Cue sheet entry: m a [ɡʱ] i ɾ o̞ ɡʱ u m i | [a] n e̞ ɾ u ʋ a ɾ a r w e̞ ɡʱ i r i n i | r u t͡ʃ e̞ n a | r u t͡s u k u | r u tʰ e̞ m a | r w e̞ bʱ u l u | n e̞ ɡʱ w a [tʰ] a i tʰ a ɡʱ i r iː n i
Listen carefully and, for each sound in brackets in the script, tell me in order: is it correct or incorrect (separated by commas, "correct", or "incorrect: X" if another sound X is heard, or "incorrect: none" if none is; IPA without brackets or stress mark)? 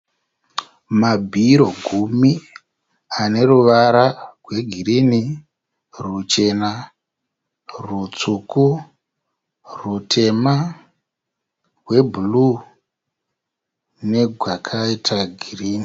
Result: incorrect: bʱ, correct, incorrect: kʰ